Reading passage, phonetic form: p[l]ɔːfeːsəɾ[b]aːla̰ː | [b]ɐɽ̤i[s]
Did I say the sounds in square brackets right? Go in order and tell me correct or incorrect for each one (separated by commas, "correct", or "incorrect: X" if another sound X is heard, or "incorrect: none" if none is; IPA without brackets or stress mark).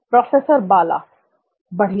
incorrect: ɾ, correct, correct, incorrect: none